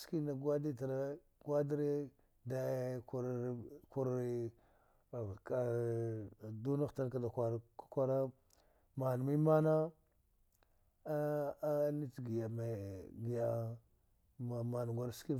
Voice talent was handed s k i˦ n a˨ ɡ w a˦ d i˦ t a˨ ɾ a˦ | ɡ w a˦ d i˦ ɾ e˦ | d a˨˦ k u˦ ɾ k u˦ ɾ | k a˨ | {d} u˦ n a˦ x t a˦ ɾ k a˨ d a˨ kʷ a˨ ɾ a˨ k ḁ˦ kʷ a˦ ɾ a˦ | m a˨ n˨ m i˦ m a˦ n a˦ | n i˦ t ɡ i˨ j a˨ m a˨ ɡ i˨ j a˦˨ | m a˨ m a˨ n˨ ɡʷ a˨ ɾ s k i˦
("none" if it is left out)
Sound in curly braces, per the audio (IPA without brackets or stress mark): d